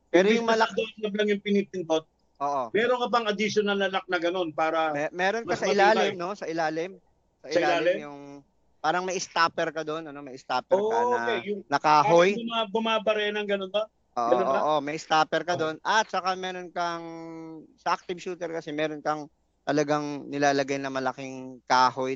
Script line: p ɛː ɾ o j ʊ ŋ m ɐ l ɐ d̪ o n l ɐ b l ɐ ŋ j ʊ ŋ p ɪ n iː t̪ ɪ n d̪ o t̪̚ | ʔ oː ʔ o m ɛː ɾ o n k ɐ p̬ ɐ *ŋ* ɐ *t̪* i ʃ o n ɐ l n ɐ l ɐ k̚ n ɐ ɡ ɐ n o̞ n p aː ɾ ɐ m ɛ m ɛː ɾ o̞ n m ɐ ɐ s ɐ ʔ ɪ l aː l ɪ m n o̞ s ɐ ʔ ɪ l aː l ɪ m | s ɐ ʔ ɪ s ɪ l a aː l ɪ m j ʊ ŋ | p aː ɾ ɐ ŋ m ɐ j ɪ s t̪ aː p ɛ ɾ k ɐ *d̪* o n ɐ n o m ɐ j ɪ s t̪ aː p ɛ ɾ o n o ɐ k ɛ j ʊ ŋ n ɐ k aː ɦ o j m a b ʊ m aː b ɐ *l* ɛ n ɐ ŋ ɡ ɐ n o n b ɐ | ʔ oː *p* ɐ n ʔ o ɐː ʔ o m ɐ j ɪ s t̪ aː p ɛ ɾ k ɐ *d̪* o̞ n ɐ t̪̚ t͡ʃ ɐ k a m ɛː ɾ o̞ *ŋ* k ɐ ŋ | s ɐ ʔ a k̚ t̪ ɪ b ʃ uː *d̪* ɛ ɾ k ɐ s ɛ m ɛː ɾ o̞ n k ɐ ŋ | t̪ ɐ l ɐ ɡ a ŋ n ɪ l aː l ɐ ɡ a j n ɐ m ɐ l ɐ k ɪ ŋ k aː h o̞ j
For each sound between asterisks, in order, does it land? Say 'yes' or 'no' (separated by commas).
yes, no, yes, no, no, yes, no, no